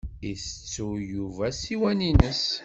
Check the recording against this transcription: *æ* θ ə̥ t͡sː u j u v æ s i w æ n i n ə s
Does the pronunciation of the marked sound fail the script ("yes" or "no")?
yes